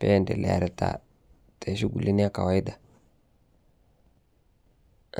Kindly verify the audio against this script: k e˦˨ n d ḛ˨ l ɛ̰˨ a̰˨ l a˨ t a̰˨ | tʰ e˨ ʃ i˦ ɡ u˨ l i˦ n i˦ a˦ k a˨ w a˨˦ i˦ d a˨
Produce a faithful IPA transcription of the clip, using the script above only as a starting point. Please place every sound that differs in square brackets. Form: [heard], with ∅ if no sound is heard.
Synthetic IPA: [p] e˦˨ n d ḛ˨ l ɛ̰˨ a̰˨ [ɾ] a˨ t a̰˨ | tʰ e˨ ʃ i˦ ɡ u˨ l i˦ n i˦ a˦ k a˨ w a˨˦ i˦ d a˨